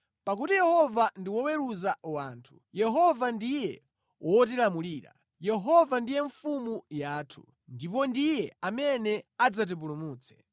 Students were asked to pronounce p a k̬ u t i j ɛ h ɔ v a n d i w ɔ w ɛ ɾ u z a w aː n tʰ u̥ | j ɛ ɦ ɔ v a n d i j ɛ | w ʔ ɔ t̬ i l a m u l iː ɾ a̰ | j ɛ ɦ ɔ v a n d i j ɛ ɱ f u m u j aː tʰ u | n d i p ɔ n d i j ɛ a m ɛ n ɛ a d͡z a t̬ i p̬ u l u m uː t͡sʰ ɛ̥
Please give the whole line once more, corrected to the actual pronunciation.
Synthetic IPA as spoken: p a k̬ u t i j ɛ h ɔ v a n d i w ɔ w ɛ ɾ u z a w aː n tʰ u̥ | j ɛ ɦ ɔ v a n d i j ɛ | w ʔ ɔ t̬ i l a m u l iː ɾ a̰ | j ɛ ɦ ɔ v a n d i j ɛ ɱ f u m u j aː tʰ u | n d i p ɔ n d i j ɛ a m ɛ n ɛ a d͡z a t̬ i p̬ u l u m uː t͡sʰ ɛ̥